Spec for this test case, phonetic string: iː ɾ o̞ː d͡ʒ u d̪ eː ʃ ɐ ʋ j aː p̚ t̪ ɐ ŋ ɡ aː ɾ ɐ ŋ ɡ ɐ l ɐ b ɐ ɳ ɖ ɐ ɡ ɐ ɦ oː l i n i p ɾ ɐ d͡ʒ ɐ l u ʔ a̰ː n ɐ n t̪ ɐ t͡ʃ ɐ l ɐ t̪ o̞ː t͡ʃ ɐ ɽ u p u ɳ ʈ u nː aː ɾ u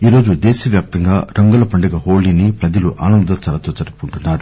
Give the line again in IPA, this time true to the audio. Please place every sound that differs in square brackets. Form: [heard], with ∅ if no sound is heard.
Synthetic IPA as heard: iː ɾ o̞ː d͡ʒ u d̪ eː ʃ ɐ ʋ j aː p̚ t̪ ɐ ŋ ɡ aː ɾ ɐ ŋ ɡ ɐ l ɐ [p] ɐ ɳ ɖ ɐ ɡ ɐ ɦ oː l i n i p ɾ ɐ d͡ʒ ɐ l u ʔ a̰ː n ɐ n [d̪] ɐ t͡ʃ ɐ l ɐ t̪ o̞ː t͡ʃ ɐ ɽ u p u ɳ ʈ u nː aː ɾ u